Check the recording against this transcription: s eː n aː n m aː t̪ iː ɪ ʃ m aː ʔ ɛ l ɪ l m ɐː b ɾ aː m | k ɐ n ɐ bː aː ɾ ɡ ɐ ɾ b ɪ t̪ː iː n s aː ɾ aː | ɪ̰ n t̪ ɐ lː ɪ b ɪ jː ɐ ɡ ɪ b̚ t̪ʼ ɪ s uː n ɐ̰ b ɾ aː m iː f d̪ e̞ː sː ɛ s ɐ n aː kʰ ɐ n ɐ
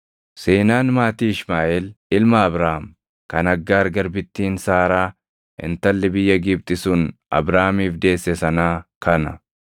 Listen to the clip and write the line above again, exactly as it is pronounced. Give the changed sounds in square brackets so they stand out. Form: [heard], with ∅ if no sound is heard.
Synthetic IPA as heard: s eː n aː n m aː t̪ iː ɪ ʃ m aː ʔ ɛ l ɪ l m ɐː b ɾ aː m | k ɐ n ɐ [ɡː] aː ɾ ɡ ɐ ɾ b ɪ t̪ː iː n s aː ɾ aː | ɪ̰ n t̪ ɐ lː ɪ b ɪ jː ɐ ɡ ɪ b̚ t̪ʼ ɪ s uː n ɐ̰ b ɾ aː m iː f d̪ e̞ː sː ɛ s ɐ n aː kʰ ɐ n ɐ